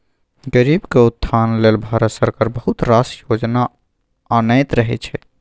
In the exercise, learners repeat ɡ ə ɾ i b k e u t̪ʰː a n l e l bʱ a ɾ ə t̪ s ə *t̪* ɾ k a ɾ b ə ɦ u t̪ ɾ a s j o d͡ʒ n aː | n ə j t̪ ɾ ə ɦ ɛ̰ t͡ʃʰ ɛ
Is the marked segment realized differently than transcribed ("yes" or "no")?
yes